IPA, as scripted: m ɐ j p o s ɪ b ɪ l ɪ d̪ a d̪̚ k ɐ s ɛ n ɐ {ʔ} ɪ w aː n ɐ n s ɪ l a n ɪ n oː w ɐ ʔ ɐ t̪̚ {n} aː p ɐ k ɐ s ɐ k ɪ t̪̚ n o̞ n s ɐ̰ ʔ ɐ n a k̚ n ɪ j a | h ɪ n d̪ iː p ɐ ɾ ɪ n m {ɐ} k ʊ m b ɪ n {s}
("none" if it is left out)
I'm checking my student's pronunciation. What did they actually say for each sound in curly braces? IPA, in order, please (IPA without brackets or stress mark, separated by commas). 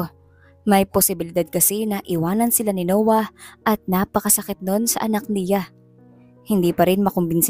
ʔ, n, ɐ, s